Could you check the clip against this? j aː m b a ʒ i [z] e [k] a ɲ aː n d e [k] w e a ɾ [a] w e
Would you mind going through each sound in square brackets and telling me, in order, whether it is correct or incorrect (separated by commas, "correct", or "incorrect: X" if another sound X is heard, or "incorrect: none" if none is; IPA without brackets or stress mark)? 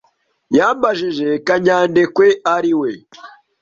incorrect: ʒ, correct, correct, incorrect: i